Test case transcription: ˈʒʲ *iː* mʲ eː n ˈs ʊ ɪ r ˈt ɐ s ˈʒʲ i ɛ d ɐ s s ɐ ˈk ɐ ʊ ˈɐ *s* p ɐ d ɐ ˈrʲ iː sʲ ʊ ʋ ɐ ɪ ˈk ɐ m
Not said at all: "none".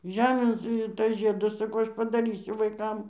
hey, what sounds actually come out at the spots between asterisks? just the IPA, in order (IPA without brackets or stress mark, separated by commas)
æː, ʃ